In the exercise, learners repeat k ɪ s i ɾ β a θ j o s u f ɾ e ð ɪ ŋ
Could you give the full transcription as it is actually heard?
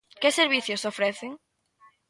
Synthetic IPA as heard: k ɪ s e ɾ β i θ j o s o f ɾ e θ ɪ ŋ